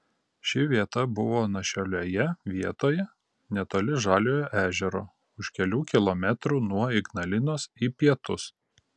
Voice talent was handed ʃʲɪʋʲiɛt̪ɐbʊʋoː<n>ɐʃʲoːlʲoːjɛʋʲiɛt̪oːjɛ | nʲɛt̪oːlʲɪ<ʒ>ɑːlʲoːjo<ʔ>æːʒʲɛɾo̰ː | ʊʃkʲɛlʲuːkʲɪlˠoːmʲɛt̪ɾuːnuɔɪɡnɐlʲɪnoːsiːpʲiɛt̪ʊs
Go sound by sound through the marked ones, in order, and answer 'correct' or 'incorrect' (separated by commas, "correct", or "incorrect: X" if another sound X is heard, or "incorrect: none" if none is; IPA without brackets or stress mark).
correct, correct, correct